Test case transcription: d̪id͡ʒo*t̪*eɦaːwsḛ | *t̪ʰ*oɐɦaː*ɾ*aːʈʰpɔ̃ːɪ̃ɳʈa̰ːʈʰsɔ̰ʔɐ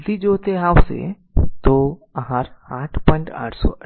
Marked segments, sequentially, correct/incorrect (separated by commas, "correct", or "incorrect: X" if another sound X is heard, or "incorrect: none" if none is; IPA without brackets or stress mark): correct, incorrect: t̪, correct